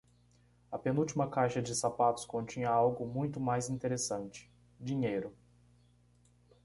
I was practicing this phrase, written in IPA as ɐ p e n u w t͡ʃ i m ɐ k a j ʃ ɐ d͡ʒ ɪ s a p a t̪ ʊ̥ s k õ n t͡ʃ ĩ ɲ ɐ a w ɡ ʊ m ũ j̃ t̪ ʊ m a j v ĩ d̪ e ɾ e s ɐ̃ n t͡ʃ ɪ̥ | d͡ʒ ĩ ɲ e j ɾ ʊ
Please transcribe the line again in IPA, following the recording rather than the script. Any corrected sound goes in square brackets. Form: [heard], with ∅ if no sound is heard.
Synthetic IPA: ɐ p e n u w t͡ʃ i m ɐ k a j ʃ ɐ d͡ʒ ɪ s a p a t̪ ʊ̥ s k õ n t͡ʃ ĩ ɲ ɐ a w ɡ ʊ m ũ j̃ t̪ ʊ m a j [z] ĩ [t̪] e ɾ e s ɐ̃ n t͡ʃ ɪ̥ | d͡ʒ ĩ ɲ e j ɾ ʊ